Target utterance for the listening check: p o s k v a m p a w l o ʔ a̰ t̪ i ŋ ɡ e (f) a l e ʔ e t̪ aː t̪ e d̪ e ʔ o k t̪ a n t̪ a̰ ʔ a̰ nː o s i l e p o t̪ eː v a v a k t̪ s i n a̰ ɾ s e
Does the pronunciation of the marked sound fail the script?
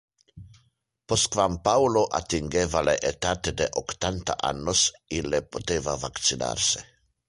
yes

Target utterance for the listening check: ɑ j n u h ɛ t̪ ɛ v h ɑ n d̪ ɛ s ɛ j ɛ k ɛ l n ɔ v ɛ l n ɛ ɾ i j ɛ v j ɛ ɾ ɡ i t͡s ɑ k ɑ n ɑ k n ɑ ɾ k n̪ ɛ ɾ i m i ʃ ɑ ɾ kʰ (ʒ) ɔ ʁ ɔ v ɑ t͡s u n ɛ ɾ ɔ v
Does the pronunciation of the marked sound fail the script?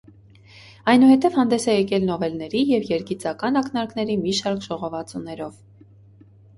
no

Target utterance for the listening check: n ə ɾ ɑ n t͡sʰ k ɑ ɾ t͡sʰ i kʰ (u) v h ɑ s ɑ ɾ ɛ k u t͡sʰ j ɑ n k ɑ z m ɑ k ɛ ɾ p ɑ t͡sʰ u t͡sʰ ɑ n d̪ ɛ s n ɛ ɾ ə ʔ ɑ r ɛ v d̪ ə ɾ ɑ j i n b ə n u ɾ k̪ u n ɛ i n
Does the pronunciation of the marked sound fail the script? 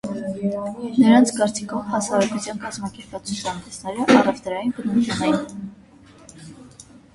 yes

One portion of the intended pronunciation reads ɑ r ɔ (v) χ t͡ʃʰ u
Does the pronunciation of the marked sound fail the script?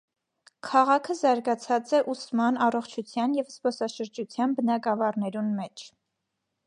yes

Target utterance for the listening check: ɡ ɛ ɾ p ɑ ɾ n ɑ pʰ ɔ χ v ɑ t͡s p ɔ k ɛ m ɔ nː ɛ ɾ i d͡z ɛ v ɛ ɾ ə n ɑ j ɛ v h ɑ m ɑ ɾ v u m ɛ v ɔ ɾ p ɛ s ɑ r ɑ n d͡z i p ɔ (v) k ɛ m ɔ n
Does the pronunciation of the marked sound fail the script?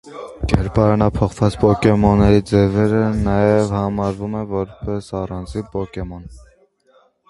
yes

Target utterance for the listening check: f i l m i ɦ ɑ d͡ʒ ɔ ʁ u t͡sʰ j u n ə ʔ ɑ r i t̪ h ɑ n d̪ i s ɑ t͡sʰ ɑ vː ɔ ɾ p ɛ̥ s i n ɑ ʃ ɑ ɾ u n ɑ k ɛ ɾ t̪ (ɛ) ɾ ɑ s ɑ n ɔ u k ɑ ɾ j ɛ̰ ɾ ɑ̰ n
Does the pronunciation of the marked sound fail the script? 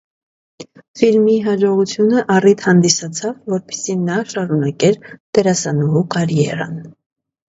no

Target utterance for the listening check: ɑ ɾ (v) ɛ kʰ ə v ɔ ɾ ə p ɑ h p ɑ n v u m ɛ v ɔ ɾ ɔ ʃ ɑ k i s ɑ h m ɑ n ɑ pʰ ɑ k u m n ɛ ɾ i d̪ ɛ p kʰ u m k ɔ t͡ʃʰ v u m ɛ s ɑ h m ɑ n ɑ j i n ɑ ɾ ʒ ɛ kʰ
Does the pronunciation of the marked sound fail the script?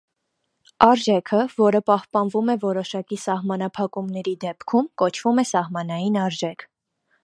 yes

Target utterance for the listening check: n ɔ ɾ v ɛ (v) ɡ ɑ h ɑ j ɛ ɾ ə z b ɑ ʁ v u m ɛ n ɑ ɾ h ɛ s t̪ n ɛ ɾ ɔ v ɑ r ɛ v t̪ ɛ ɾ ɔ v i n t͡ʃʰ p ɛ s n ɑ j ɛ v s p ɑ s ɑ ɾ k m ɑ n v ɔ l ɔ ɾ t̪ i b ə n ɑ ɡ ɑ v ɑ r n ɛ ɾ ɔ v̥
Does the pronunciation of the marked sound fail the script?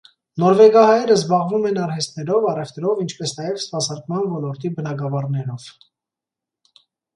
yes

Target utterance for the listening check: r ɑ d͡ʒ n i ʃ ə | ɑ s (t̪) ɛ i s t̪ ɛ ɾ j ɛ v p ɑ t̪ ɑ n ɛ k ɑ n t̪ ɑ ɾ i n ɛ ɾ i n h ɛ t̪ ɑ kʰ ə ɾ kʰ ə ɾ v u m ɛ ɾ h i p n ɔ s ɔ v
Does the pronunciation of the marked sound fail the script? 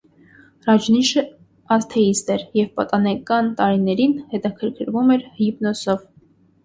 yes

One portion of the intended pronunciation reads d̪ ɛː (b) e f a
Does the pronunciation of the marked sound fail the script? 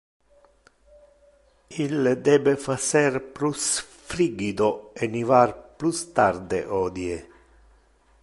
no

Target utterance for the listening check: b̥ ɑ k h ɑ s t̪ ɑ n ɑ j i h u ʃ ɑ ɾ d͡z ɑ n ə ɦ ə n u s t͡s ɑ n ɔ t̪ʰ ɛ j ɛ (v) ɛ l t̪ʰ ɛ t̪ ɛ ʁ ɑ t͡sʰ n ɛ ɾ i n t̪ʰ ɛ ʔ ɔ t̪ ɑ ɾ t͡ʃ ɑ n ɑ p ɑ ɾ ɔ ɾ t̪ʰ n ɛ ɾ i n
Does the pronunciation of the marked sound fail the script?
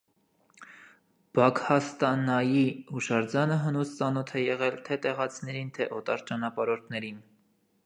yes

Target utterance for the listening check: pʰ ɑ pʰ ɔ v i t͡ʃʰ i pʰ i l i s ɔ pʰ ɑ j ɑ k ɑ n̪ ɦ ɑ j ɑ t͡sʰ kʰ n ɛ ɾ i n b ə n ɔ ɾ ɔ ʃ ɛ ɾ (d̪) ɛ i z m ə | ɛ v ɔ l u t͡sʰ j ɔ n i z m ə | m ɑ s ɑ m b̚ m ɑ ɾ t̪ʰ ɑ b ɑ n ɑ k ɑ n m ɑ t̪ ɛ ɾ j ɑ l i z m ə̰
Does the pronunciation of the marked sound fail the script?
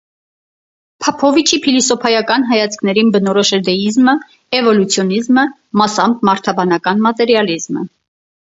no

